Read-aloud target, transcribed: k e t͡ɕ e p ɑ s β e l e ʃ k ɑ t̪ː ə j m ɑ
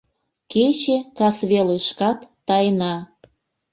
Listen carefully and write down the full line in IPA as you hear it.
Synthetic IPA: k e t͡ɕ e k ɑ s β e l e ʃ k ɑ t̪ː ɑ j n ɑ